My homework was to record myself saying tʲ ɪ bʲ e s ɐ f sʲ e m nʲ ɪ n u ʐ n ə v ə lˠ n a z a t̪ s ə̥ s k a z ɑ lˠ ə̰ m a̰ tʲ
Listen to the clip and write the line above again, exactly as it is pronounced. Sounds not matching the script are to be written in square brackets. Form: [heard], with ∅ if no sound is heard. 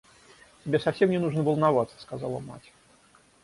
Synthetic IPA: tʲ ɪ bʲ e s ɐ f sʲ e m nʲ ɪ n u ʐ n ə v ə lˠ n a [v] a t̪ s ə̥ s k a z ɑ lˠ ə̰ m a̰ tʲ